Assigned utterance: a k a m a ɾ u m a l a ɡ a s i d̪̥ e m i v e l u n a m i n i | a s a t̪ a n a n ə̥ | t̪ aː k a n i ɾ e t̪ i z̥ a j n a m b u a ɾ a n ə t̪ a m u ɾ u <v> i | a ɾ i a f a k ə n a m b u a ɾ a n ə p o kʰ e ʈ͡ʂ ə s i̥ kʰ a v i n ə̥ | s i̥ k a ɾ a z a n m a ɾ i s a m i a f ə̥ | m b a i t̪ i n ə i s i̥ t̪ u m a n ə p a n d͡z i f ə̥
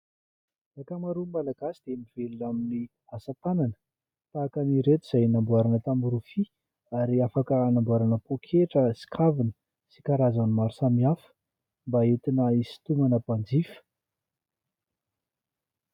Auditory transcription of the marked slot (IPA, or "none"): f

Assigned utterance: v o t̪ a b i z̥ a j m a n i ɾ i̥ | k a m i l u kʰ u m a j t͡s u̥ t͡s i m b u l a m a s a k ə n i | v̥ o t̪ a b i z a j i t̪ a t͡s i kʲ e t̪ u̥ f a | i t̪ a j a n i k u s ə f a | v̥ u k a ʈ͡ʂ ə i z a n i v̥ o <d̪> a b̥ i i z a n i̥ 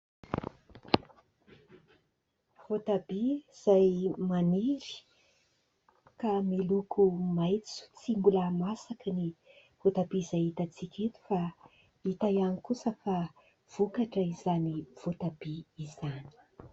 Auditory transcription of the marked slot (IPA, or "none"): t̪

